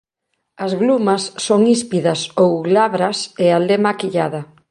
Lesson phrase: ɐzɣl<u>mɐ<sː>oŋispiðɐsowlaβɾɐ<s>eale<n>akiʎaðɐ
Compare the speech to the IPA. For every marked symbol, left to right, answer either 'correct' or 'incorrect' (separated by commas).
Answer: correct, correct, correct, incorrect